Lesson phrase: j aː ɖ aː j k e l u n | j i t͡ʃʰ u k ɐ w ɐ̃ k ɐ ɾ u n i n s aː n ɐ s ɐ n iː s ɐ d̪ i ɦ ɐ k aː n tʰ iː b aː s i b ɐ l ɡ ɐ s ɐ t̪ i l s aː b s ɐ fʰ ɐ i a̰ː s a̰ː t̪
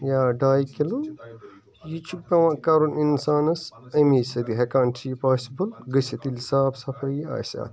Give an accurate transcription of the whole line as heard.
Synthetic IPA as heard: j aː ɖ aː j k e l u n | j i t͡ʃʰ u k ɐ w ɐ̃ k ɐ ɾ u n i n s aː n ɐ s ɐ m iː s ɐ d̪ i ɦ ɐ k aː n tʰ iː p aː s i b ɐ l ɡ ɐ s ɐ t̪ i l s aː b s ɐ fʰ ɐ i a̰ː s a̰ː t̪